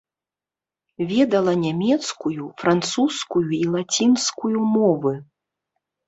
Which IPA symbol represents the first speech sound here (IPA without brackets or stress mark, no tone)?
vʲ